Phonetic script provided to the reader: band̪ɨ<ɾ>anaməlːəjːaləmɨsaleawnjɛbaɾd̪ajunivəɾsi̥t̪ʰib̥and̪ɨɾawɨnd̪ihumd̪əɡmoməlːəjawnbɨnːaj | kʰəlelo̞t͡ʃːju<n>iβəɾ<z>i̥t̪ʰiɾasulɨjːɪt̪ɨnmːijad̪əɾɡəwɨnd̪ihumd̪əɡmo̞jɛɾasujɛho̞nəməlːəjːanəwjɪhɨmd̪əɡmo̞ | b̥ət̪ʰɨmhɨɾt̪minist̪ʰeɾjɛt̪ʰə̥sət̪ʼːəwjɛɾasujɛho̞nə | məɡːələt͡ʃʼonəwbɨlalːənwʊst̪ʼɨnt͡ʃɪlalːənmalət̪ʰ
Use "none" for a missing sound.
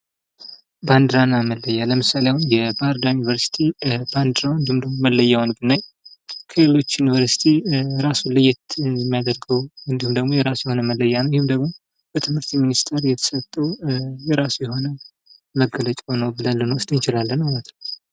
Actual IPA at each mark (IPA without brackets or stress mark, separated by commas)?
ɾ, n, s